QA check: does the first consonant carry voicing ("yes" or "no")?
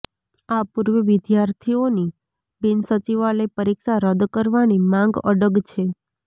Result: no